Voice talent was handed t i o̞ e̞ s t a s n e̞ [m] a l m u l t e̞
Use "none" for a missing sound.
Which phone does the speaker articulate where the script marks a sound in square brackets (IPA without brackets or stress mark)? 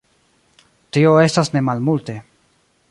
m